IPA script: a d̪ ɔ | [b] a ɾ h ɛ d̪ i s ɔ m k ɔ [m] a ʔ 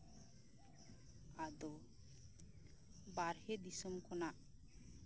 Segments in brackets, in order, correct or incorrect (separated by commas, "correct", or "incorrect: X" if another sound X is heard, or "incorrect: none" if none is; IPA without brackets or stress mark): correct, incorrect: n